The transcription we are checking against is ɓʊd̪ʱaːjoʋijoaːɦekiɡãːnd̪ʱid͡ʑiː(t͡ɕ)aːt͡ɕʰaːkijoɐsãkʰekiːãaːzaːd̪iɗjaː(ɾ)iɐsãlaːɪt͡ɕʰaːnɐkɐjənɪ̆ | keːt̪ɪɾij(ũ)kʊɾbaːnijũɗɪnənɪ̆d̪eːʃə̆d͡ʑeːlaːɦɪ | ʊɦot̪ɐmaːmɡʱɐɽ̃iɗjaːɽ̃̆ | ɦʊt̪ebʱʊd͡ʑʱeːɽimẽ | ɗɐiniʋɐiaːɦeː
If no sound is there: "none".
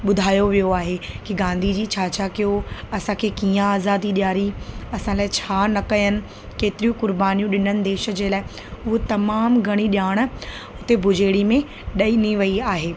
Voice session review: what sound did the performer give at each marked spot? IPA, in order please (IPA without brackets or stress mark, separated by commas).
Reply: t͡ɕʰ, ɾ, ũ